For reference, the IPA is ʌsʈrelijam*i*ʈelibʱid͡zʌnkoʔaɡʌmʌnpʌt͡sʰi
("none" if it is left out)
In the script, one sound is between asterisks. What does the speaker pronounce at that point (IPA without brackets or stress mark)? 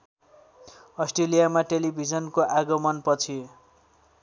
a